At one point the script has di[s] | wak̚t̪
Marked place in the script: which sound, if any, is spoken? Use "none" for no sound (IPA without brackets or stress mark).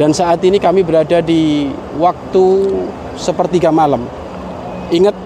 none